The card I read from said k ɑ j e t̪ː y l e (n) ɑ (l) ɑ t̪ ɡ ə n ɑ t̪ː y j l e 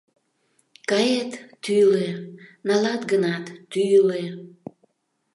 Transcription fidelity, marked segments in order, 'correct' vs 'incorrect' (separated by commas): correct, correct